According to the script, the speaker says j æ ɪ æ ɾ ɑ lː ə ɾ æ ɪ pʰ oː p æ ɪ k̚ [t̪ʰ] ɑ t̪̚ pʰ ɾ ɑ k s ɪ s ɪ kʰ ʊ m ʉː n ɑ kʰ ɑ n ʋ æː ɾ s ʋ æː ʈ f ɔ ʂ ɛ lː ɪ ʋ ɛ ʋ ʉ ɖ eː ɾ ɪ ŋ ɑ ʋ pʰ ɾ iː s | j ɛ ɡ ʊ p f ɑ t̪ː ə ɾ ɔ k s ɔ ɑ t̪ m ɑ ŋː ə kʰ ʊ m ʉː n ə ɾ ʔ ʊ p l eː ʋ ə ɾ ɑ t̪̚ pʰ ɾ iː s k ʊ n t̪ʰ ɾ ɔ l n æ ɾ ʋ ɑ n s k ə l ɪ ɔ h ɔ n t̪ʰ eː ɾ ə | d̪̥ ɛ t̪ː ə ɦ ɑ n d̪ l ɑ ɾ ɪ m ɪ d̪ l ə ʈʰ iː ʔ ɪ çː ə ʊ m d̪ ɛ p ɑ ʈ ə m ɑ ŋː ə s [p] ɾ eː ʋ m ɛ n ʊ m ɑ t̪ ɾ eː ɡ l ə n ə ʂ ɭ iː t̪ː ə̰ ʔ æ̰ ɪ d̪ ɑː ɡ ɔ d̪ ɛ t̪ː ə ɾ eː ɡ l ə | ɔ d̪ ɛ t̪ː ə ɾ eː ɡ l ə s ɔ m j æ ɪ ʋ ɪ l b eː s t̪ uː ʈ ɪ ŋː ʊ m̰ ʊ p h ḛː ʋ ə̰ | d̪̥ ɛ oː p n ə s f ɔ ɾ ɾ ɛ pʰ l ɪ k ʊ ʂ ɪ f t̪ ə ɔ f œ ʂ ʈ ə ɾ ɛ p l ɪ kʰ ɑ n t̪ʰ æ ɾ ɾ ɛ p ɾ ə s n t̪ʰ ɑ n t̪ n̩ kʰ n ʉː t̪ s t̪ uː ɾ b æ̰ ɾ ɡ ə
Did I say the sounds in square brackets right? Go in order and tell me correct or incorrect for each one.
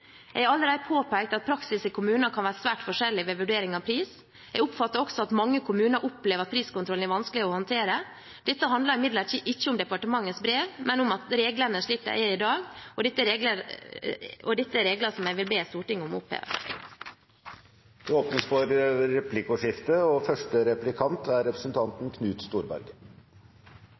incorrect: t̪, incorrect: b

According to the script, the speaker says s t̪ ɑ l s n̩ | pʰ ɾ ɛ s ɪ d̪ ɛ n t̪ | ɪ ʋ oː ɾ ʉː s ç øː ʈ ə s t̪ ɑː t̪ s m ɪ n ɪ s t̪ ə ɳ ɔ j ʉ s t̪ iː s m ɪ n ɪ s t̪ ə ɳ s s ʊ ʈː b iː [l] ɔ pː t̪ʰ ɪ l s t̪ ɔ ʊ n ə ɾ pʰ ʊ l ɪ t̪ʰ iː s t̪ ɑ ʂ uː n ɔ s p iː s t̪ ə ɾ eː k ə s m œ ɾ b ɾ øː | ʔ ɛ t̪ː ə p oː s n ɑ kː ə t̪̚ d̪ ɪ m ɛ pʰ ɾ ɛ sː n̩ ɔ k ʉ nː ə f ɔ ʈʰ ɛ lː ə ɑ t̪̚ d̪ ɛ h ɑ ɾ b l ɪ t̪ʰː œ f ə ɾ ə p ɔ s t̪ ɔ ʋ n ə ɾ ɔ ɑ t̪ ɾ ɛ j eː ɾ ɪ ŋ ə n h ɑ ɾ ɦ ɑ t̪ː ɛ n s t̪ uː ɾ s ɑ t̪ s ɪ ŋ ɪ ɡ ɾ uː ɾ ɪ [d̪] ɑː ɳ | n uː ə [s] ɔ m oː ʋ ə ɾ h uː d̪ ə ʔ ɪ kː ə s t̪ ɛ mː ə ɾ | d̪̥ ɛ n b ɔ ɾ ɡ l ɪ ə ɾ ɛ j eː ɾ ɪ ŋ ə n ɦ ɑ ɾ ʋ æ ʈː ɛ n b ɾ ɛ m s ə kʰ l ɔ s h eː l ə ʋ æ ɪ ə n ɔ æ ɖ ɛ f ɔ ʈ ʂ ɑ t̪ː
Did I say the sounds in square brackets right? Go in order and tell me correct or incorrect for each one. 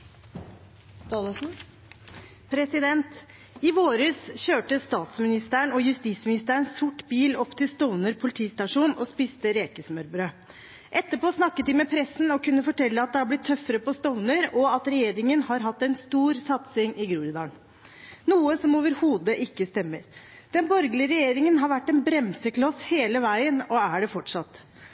correct, correct, correct

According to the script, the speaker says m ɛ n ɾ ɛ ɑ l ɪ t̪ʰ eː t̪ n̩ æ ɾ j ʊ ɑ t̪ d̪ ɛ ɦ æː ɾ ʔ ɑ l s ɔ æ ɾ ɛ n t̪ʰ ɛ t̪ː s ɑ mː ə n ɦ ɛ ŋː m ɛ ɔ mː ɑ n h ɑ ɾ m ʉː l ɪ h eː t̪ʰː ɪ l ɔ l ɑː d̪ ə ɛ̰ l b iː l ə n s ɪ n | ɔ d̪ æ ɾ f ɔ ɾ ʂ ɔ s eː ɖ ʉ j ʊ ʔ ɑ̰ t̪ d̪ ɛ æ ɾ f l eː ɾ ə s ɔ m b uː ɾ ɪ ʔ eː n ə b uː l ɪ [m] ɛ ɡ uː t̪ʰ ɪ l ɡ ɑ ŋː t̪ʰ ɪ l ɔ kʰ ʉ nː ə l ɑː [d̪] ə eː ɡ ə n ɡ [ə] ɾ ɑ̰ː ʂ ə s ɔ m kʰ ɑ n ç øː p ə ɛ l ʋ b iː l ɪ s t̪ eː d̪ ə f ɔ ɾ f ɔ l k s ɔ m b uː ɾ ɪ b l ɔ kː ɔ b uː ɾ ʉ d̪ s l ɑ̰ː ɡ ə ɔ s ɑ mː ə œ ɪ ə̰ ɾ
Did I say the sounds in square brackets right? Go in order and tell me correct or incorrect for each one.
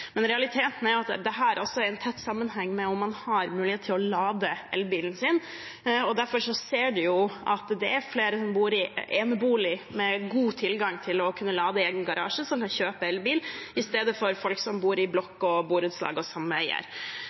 correct, correct, incorrect: ɑ

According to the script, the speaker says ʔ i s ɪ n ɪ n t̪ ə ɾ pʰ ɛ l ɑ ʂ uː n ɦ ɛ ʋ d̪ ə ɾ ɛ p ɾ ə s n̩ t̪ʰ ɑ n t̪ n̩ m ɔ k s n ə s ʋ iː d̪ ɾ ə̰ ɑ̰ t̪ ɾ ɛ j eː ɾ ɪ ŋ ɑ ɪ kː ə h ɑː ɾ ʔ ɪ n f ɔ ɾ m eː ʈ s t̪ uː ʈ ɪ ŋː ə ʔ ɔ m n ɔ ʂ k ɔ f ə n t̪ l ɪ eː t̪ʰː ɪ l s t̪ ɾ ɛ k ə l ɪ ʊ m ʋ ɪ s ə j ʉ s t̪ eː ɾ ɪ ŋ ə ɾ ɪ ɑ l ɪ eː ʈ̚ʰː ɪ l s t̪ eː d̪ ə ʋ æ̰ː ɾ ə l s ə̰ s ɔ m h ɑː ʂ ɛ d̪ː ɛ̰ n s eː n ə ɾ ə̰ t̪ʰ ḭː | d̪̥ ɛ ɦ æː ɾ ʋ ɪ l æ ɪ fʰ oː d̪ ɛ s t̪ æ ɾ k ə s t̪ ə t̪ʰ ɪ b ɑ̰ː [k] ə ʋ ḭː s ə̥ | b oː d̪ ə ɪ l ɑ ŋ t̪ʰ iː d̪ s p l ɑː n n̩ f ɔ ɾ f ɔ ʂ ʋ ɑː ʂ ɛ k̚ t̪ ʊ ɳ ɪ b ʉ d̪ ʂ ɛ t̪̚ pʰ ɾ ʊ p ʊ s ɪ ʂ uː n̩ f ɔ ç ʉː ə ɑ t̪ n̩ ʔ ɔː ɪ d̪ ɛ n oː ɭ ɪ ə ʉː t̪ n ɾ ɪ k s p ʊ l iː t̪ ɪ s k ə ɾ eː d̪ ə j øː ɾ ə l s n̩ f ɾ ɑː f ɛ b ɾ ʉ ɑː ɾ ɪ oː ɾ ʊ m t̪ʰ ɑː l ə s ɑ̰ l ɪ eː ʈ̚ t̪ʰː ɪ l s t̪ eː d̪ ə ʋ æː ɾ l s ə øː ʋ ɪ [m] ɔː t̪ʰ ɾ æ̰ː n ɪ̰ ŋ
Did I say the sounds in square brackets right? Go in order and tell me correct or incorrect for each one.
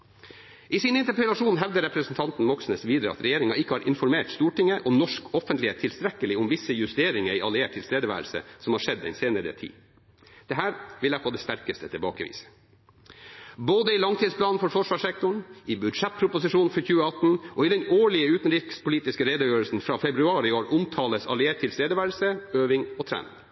correct, incorrect: ŋ

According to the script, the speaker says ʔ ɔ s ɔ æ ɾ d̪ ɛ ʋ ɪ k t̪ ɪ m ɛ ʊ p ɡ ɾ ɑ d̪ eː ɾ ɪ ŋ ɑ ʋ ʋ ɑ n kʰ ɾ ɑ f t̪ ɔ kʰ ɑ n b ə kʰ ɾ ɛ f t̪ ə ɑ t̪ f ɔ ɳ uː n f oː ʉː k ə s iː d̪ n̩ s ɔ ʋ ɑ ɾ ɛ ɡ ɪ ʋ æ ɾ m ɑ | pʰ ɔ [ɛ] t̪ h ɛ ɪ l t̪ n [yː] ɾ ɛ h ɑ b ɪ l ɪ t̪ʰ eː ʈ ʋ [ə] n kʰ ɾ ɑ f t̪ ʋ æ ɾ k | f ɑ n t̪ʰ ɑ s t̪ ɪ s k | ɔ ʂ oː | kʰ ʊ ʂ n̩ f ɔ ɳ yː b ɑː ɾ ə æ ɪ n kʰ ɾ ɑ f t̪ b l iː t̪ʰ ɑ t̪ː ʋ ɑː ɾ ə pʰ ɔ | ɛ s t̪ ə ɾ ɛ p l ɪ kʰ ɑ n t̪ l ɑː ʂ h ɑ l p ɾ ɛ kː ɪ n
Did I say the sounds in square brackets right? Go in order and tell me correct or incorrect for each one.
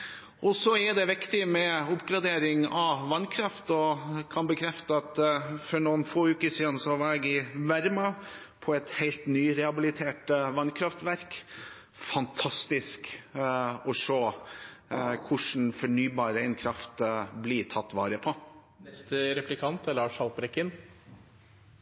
correct, correct, incorrect: ɑ

